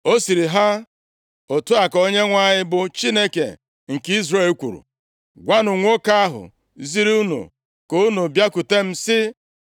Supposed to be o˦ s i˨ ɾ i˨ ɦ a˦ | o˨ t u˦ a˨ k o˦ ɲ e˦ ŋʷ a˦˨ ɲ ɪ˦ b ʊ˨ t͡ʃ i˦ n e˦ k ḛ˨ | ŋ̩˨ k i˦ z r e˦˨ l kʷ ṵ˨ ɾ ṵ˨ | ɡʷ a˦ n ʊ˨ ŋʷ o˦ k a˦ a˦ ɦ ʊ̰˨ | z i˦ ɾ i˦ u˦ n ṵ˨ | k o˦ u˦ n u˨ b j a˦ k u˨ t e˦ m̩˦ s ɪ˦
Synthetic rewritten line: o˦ s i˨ ɾ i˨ ɦ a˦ | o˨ t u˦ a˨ k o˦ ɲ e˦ ŋʷ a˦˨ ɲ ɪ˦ b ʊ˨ t͡ʃ i˦ n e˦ k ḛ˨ | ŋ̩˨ k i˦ z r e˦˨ l kʷ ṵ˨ ɾ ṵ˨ | ɡʷ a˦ n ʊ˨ ŋʷ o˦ k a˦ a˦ ɦ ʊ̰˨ | z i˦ ɾ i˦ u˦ n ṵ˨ | k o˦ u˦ n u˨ b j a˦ k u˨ t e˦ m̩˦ s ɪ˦